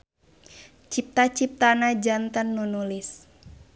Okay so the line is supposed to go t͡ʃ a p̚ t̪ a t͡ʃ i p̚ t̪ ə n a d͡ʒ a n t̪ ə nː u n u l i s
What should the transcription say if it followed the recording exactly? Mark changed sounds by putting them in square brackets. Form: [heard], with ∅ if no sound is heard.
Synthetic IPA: t͡ʃ [i] p̚ t̪ a t͡ʃ i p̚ t̪ [a] n a d͡ʒ a n t̪ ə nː u n u l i s